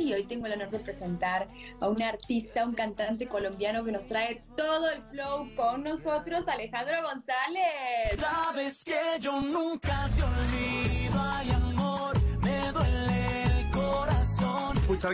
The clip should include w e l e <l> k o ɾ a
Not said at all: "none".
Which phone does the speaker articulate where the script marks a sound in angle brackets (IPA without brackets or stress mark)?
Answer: l